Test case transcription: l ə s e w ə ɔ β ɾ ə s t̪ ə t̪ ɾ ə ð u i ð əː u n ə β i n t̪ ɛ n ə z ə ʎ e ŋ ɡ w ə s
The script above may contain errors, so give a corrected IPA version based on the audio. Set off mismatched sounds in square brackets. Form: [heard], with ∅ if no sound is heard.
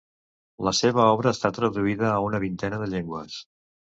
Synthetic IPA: l ə s e [β] ə ɔ β ɾ [əː] s t̪ [a] t̪ ɾ ə ð u i ð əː u n ə β i n t̪ ɛ n ə [ð] ə ʎ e ŋ ɡ w ə s